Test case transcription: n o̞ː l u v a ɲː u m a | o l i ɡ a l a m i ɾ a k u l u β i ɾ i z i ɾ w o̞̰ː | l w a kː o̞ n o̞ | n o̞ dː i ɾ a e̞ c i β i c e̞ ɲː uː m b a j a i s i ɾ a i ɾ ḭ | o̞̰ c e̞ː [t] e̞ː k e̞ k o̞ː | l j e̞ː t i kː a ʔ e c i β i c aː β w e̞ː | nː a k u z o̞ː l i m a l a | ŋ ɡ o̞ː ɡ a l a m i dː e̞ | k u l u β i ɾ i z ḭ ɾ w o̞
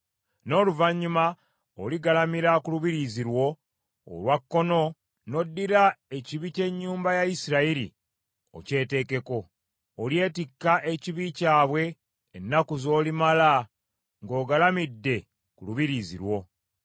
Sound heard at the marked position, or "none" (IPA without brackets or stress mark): t